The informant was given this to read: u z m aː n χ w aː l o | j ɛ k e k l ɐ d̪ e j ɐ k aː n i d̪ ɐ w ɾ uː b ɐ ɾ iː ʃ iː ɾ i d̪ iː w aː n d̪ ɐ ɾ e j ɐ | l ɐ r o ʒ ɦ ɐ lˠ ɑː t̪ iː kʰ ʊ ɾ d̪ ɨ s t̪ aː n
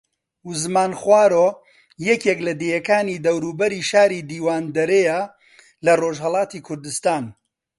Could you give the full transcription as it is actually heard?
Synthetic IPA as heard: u z m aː n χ w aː ɾ o | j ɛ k e k l ɐ d̪ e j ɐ k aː n i d̪ ɐ w ɾ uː b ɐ ɾ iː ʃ aː ɾ i d̪ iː w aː n d̪ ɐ ɾ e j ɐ | l ɐ r o ʒ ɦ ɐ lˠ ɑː t̪ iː kʰ ʊ ɾ d̪ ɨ s t̪ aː n